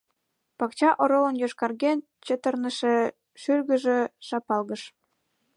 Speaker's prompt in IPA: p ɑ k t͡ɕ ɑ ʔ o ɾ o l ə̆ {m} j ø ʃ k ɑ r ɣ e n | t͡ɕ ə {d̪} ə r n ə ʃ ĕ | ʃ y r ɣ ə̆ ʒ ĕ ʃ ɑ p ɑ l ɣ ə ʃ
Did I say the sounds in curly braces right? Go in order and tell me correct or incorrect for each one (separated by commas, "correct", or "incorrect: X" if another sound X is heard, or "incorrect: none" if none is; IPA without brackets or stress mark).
incorrect: n, incorrect: t̪